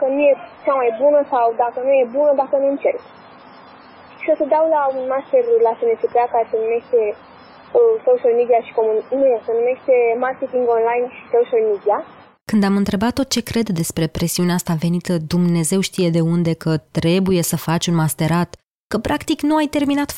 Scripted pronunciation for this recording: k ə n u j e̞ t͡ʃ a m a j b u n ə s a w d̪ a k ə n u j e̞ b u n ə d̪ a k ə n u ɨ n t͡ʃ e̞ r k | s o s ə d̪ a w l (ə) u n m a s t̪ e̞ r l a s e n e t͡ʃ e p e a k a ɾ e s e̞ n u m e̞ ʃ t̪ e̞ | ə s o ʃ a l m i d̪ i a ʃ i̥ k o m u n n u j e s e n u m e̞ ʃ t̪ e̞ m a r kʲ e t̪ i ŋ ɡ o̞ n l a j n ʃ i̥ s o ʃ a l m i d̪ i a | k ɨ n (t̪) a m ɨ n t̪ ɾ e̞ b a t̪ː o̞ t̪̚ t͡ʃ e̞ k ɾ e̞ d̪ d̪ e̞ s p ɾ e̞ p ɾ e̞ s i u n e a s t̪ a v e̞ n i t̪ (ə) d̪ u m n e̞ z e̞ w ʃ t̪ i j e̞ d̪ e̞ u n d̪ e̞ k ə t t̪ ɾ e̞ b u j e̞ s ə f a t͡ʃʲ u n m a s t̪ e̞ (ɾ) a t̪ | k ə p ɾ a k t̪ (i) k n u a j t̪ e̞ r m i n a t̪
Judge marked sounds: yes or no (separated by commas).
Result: no, no, yes, yes, yes